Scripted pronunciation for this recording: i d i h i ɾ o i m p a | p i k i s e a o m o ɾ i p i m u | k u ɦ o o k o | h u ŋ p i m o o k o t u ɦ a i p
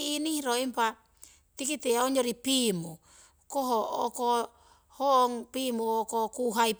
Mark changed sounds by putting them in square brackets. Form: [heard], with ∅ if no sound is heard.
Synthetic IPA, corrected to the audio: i [n] i h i ɾ o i m p a | [t] i k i [t] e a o [ɲ] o ɾ i p i m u | k [o] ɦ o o k o | h [o] ŋ p i m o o k o [k] u ɦ a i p